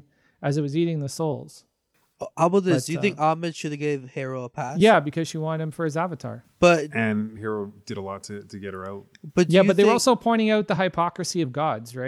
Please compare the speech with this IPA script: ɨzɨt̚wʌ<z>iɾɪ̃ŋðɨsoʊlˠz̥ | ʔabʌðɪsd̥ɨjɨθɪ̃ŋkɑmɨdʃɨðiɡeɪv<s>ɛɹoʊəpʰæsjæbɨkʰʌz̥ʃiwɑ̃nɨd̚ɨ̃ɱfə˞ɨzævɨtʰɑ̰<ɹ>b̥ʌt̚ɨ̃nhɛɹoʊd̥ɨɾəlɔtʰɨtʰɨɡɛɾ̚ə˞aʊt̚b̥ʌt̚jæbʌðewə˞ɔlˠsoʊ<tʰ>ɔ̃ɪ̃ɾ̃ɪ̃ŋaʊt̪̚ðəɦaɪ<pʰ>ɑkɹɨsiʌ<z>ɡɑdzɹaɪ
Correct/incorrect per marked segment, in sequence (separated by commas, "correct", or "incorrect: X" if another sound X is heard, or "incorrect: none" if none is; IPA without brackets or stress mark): correct, incorrect: h, correct, incorrect: pʰ, correct, incorrect: v